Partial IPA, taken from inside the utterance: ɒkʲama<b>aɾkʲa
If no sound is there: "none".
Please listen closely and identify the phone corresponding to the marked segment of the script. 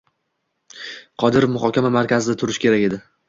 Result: m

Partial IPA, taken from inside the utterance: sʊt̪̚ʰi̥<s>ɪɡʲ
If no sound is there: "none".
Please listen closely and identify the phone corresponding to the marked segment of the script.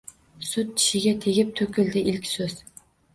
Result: ʃ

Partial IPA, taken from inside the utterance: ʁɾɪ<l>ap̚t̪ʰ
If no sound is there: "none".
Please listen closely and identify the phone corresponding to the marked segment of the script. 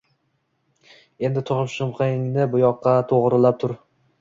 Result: l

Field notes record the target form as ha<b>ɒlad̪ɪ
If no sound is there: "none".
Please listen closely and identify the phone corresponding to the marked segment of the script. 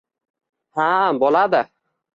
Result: b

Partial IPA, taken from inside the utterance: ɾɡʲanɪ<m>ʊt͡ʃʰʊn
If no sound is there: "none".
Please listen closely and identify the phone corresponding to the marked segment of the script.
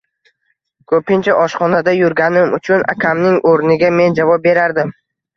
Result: m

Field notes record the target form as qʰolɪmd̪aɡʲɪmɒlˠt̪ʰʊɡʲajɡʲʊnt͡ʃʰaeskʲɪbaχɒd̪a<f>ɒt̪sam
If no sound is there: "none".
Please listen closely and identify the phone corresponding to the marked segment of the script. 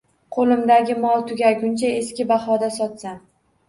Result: s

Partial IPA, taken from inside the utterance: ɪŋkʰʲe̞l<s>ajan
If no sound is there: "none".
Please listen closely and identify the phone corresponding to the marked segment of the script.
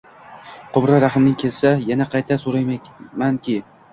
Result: s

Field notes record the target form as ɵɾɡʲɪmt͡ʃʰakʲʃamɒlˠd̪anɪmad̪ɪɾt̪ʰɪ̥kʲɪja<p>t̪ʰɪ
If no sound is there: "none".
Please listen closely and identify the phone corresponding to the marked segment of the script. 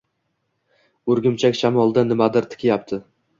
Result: p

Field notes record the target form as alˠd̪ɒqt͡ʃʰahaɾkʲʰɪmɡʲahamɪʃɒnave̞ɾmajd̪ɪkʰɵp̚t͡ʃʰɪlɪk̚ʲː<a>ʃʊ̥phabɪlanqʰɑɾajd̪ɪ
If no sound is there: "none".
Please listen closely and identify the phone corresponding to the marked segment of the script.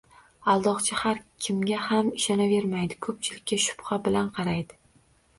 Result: a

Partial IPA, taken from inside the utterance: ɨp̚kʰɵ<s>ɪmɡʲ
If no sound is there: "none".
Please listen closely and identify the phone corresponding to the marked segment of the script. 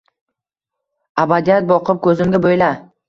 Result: z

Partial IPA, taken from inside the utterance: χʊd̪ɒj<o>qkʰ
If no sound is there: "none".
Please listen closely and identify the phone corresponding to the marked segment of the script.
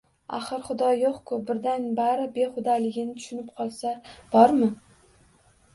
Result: o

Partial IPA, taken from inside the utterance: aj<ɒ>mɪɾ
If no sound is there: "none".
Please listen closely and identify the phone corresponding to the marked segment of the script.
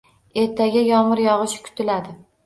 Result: ɒ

